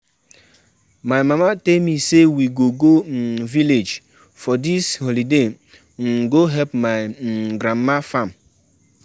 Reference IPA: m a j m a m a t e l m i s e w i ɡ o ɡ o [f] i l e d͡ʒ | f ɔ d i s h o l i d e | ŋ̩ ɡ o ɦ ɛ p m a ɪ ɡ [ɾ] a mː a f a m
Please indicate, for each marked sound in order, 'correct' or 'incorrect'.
incorrect, correct

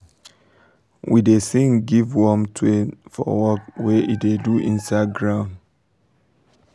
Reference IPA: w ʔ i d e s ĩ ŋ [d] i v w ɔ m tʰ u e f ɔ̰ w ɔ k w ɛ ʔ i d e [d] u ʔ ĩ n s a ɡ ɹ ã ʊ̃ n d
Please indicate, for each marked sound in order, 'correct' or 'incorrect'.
incorrect, correct

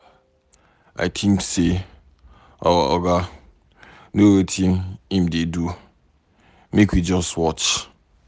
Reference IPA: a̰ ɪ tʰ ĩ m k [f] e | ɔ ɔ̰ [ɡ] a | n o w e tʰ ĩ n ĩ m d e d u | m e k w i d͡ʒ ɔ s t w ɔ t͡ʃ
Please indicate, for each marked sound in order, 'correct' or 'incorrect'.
incorrect, correct

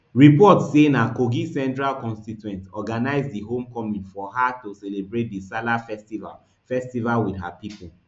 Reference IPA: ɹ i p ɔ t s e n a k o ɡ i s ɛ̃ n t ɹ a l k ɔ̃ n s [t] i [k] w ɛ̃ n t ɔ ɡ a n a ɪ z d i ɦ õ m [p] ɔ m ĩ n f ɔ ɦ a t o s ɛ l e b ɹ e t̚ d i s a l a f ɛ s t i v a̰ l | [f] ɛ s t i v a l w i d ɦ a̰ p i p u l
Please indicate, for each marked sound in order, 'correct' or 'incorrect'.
correct, incorrect, incorrect, correct

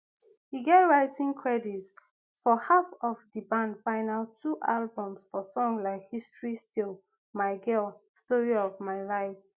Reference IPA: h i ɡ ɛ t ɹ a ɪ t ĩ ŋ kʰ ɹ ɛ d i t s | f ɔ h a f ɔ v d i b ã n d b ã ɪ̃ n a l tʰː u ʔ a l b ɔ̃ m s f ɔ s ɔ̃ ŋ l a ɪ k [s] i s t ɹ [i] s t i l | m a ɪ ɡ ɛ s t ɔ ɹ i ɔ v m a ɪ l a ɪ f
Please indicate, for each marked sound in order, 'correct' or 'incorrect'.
incorrect, correct

